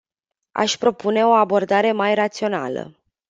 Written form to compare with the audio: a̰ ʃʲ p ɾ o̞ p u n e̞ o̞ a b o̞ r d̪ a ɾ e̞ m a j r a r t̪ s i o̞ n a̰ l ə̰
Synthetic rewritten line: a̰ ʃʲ p ɾ o̞ p u n e̞ o̞ a b o̞ r d̪ a ɾ e̞ m a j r a t̪ s i o̞ n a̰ l ə̰